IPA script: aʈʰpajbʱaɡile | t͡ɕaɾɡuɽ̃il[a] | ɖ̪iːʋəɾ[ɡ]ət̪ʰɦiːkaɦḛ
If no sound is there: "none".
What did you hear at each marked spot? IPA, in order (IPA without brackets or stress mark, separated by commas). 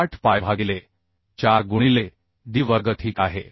e, ɡ